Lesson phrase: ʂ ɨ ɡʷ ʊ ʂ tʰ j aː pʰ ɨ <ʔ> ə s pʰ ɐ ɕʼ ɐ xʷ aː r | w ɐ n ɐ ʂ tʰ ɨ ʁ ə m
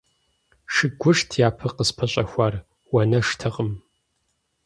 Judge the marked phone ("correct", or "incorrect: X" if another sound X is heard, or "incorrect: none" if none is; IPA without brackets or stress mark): incorrect: q